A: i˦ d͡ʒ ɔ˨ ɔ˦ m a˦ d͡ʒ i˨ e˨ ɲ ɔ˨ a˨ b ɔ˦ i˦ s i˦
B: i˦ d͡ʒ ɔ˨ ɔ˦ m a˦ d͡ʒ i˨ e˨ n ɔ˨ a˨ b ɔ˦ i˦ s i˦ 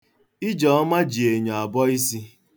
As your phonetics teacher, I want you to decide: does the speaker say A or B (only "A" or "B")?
A